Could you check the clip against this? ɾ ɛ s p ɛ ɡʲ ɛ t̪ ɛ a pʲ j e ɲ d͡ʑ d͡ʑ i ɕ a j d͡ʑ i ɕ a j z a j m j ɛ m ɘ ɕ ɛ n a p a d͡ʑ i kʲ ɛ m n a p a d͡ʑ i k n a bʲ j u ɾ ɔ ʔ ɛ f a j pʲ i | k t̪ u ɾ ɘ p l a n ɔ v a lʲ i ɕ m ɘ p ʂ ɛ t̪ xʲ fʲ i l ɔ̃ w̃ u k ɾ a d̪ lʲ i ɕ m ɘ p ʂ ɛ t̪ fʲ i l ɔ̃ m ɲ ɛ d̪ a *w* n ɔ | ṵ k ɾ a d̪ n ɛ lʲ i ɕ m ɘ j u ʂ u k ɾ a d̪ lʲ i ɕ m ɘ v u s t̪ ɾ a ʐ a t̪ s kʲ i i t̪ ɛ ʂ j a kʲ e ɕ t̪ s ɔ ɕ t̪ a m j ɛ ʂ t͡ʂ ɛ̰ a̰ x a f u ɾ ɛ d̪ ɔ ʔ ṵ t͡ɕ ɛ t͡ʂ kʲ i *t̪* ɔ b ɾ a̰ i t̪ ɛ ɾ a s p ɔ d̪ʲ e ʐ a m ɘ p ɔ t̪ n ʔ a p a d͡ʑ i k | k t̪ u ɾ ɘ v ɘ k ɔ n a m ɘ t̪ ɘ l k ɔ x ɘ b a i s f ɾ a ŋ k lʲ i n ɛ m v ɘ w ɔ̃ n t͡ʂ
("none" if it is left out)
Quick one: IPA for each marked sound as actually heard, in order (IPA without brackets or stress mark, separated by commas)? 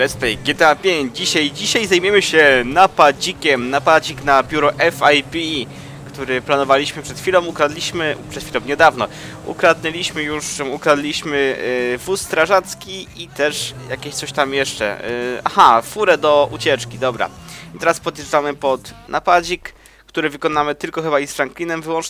v, d̪